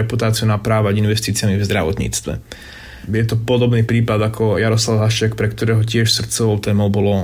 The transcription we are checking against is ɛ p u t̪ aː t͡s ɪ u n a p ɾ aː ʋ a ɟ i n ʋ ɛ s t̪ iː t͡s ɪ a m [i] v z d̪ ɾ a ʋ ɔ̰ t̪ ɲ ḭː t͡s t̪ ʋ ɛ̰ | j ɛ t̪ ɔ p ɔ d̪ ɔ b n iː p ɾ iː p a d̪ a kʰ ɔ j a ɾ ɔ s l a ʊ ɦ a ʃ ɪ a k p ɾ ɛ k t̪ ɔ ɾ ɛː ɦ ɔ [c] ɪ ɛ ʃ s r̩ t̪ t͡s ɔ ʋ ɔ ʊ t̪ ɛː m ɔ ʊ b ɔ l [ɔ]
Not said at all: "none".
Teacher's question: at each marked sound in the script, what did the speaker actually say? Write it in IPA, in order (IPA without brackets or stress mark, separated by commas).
i, c, ɔ